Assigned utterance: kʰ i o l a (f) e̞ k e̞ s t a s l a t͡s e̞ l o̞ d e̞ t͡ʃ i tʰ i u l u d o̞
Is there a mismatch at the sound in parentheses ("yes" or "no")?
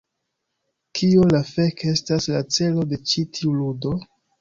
no